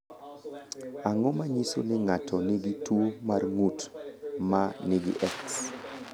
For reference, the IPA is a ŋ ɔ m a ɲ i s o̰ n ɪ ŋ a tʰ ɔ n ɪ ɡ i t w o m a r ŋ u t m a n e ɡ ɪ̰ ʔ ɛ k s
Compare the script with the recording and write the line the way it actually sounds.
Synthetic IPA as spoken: a ŋ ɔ m a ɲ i s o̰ n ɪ ŋ a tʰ ɔ n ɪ ɡ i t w o m a r ŋ u t m a n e ɡ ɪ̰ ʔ ɛ k s